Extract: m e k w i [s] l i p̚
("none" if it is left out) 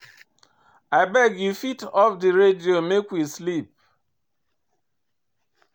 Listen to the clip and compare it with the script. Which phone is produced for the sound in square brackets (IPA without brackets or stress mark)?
s